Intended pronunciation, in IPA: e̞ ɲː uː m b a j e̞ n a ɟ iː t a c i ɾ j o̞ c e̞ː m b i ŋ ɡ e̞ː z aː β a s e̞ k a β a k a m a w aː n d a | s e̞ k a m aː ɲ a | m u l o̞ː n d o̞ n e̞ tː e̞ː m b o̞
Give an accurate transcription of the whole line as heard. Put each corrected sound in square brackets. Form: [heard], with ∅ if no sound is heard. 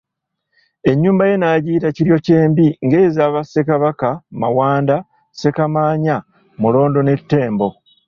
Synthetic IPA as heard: e̞ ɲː uː m b a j e̞ n a ɟ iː t a c i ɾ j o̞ c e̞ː m b i ŋ ɡ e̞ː z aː β a s e̞ k a β a k a m a w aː n d a | s e̞ k a m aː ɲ a | m u l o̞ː n d o̞ n e̞ tː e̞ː m b o̞